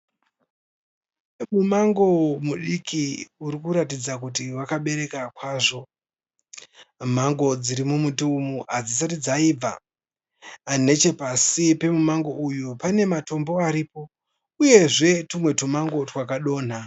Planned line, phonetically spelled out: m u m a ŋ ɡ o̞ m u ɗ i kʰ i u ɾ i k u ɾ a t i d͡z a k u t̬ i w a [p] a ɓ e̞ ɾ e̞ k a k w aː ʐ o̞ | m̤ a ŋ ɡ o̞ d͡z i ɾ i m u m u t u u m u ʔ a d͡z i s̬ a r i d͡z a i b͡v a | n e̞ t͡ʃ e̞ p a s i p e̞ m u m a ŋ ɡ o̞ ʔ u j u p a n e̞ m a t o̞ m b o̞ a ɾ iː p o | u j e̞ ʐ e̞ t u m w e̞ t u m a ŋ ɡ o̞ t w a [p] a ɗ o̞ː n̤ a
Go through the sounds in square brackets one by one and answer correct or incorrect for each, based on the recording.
incorrect: k, incorrect: k

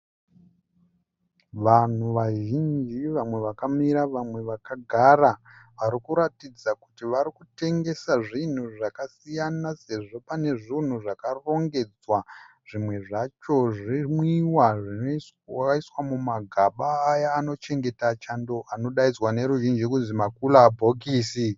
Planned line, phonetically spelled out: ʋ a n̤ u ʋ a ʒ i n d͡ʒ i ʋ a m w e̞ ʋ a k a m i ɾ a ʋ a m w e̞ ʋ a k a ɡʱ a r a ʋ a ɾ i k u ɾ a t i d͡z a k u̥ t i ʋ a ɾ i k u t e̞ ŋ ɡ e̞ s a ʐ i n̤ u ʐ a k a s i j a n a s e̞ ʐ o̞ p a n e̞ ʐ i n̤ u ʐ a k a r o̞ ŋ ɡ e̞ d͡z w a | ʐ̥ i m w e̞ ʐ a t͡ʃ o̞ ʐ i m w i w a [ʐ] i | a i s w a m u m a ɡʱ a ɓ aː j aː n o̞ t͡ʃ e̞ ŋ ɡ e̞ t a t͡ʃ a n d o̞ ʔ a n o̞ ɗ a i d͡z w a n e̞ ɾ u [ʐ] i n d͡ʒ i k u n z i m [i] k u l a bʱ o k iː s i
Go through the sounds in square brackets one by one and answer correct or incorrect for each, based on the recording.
correct, incorrect: ʒ, incorrect: a

